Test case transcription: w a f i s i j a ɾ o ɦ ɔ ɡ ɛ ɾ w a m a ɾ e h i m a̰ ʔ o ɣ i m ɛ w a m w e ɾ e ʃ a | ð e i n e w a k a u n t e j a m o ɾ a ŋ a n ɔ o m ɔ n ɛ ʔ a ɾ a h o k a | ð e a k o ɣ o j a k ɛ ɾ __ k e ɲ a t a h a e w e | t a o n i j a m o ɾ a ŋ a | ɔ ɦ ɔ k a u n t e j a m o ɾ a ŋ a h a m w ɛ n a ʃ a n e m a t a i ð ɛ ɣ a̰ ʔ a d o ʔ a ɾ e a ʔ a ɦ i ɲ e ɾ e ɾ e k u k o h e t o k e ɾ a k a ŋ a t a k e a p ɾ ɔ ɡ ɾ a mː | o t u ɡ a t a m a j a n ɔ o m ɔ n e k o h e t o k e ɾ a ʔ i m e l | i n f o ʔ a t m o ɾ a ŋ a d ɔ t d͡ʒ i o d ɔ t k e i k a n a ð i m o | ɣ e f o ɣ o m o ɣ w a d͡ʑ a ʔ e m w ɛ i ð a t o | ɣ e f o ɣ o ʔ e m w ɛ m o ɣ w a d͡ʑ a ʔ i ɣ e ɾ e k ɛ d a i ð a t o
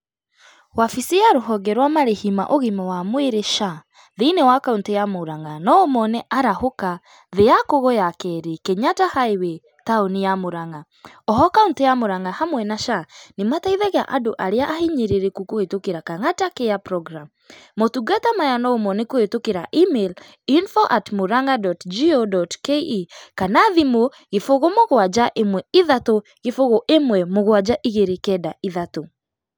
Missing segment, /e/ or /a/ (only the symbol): e